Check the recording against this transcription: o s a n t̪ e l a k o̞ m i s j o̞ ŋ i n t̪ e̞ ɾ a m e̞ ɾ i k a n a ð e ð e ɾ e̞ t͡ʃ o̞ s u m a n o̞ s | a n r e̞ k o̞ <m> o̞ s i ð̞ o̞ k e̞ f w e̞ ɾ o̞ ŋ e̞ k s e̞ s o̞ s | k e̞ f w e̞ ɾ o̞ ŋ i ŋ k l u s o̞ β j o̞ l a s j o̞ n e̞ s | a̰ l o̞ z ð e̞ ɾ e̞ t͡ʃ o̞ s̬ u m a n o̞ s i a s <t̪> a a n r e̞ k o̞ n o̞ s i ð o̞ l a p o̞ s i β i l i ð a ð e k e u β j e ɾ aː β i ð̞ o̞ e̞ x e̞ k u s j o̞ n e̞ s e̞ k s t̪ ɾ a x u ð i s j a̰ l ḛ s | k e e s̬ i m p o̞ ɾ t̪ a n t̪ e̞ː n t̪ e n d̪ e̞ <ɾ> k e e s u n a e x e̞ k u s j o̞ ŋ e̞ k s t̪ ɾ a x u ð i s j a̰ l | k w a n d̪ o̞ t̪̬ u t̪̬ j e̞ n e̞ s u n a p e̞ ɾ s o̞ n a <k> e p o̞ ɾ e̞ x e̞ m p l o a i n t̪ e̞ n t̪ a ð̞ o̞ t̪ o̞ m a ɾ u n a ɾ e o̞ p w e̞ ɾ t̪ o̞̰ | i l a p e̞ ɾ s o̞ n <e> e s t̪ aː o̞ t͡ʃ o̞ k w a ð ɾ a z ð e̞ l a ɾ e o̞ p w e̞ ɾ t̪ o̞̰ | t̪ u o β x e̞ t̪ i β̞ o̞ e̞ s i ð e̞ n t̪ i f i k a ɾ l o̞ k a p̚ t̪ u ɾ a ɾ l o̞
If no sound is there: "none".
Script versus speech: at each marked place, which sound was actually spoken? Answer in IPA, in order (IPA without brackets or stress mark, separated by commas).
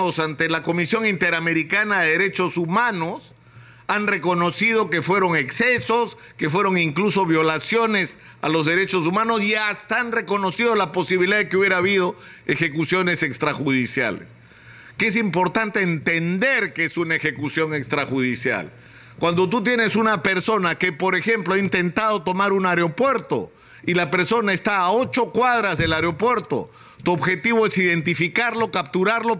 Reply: n, t̪, ɾ, k, a